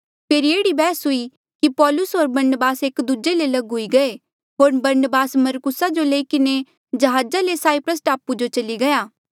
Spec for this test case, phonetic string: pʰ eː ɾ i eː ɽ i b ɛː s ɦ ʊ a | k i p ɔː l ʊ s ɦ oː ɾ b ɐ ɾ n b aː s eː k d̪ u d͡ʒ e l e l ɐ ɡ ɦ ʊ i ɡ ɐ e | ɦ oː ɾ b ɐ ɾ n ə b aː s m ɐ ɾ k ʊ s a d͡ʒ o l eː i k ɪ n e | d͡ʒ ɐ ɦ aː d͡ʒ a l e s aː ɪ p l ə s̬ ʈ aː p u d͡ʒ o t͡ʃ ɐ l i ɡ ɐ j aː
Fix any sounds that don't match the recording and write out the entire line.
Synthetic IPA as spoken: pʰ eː ɾ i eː ɽ i b ɛː s ɦ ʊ i | k i p ɔː l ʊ s ɦ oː ɾ b ɐ ɾ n b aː s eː k d̪ u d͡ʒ e l e l ɐ ɡ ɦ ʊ i ɡ ɐ e | ɦ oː ɾ b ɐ ɾ n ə b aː s m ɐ ɾ k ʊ s a d͡ʒ o l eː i k ɪ n e | d͡ʒ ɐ ɦ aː d͡ʒ a l e s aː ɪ p ɾ ə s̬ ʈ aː p u d͡ʒ o t͡ʃ ɐ l i ɡ ɐ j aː

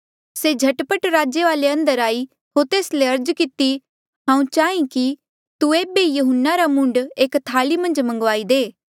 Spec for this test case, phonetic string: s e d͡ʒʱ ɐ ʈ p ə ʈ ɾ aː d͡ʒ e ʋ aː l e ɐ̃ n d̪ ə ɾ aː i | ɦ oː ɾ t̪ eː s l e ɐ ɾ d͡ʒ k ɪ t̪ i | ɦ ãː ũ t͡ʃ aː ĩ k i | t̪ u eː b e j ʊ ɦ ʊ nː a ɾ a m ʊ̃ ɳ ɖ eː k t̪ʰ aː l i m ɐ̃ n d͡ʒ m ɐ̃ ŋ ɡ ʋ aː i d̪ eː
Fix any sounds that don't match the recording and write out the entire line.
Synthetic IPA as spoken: s e d͡ʒʱ ɐ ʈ p ə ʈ ɾ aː d͡ʒ e ʋ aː l e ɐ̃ n d̪ ə ɾ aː i | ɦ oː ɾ t̪ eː s l e ɐ ɾ d͡ʒ k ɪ t̪ i | ɦ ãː ũ t͡ʃ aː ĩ k i | t̪ u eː b e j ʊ ɦ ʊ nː a ɾ a m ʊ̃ ɳ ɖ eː k t̪ʰ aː l i m ɐ̃ n d͡ʒ m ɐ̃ ŋ ɡ ʋ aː i d̪ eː

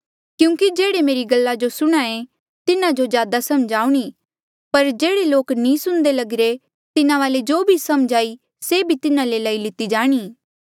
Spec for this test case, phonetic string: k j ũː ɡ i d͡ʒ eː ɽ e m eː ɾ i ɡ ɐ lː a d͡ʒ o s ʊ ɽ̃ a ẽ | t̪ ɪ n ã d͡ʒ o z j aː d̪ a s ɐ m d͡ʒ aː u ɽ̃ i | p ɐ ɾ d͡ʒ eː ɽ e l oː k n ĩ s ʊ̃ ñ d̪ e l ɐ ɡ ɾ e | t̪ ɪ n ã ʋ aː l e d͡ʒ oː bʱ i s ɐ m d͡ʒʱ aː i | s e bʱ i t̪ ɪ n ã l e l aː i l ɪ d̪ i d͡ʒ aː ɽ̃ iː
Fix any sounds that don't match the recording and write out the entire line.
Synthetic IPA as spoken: k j ũː k i d͡ʒ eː ɽ e m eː ɾ i ɡ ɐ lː a d͡ʒ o s ʊ ɽ̃ a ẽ | t̪ ɪ n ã d͡ʒ o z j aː d̪ a s ɐ m d͡ʒ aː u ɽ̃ i | p ɐ ɾ d͡ʒ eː ɽ e l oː k n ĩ s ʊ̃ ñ d̪ e l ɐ ɡ ɾ e | t̪ ɪ n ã ʋ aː l e d͡ʒ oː bʱ i s ɐ m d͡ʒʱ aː i | s e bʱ i t̪ ɪ n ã l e l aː i l ɪ t̪ i d͡ʒ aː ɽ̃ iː

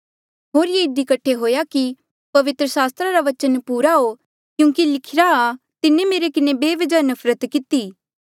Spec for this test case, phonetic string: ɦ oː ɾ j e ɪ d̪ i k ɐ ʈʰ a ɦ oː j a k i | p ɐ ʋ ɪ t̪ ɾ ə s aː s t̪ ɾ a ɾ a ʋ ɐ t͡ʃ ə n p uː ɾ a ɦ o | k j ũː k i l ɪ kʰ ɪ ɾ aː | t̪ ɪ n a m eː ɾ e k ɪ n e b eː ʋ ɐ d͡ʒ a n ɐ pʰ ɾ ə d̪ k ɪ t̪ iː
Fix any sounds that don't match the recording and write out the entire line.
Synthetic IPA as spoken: ɦ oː ɾ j e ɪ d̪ i k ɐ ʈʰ e ɦ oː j a k i | p ɐ ʋ ɪ t̪ ɾ ə s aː s t̪ ɾ a ɾ a ʋ ɐ t͡ʃ ə n p uː ɾ a ɦ o | k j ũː k i l ɪ kʰ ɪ ɾ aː | t̪ ɪ n e m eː ɾ e k ɪ n e b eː ʋ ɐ d͡ʒ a n ɐ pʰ ɾ ə t̪ k ɪ t̪ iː

